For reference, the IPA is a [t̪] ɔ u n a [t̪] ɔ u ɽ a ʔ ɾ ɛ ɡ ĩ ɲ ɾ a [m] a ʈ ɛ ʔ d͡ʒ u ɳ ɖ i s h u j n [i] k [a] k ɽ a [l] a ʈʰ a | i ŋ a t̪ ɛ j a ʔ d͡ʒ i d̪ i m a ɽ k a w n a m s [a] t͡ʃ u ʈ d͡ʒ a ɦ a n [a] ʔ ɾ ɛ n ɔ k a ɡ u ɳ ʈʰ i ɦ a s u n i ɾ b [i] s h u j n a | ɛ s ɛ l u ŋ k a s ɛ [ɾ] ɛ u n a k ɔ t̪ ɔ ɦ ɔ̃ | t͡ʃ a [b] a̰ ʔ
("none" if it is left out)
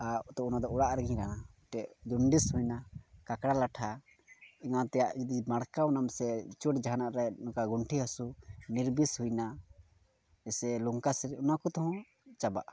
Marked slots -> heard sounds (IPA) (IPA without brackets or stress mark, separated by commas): t̪, d̪, n, a, a, l, ɛ, a, i, ɾ, b